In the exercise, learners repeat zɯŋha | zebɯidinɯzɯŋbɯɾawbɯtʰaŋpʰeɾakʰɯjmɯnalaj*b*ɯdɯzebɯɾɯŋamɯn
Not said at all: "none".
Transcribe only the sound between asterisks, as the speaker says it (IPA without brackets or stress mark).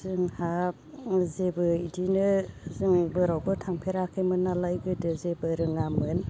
ɡ